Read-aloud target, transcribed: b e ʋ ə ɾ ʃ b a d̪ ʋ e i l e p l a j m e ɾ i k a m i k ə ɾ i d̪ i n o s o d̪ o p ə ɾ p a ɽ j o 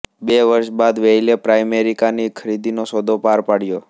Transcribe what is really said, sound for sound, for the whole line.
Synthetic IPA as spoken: b e ʋ ə ɾ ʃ b a d̪ ʋ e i l e p ɾ a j m e ɾ i k a n i kʰ ə ɾ i d̪ i n o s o d̪ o p a ɾ p a ɽ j o